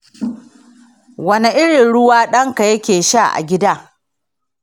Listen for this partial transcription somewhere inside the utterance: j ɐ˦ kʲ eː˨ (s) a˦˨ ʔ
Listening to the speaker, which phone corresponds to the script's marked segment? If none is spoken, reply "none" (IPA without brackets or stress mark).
ʃ